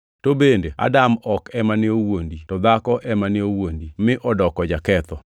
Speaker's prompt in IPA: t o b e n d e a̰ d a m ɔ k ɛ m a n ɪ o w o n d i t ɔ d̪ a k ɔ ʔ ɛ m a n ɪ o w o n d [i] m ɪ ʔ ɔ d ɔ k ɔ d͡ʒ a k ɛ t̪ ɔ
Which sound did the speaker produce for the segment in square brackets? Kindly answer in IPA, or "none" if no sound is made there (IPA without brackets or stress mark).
i